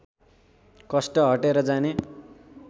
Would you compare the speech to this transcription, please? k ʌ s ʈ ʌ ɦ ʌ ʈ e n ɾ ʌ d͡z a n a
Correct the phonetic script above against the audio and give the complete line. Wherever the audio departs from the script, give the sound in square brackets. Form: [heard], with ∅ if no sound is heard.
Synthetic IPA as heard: k ʌ s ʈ ʌ ɦ ʌ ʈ e [∅] ɾ ʌ d͡z a n [e]